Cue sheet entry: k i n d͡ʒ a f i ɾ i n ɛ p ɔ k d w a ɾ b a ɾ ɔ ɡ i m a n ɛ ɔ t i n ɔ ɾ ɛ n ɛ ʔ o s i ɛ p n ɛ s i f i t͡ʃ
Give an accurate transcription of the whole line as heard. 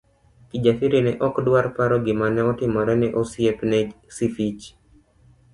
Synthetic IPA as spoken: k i d͡ʒ a f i ɾ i n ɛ ʔ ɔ k d w a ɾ p a ɾ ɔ ɡ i m a n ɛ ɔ t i m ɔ ɾ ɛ n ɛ ʔ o s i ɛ p n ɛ s i f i t͡ʃ